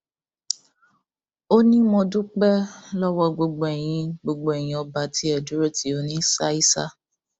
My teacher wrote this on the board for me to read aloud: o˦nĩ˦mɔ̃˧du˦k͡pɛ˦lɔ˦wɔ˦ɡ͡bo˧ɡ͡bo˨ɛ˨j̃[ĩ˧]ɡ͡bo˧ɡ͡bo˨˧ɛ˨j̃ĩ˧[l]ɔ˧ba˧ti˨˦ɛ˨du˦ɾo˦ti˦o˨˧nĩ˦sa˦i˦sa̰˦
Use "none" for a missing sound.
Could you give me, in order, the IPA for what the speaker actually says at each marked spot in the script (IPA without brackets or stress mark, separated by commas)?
ĩ˧, none